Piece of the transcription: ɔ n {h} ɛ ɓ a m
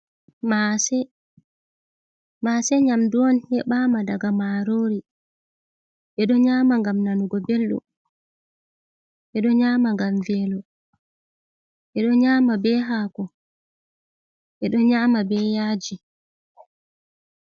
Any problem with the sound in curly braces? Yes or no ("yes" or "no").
no